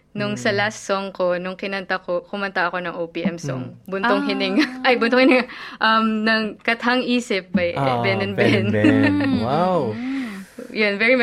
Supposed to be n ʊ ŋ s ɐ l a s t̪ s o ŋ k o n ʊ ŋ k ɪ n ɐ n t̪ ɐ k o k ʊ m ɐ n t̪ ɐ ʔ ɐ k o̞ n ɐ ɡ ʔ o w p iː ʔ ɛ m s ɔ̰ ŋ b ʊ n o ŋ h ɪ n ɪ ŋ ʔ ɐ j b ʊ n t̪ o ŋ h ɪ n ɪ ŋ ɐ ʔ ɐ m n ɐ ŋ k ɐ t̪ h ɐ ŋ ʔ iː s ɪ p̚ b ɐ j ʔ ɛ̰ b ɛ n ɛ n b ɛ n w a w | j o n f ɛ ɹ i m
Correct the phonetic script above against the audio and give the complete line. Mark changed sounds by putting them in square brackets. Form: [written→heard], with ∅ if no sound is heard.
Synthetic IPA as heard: n ʊ ŋ s ɐ l a s t̪ s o ŋ k o n ʊ ŋ k ɪ n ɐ n t̪ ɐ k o k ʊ m ɐ n t̪ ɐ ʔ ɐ k o̞ n ɐ [ɡ→ŋ] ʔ o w p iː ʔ ɛ m s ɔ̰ ŋ b ʊ n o ŋ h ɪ n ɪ ŋ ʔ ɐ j b ʊ n t̪ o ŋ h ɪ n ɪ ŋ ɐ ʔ ɐ m n ɐ ŋ k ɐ t̪ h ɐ ŋ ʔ iː s ɪ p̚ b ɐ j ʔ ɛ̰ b ɛ n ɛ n b ɛ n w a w | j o n [f→v] ɛ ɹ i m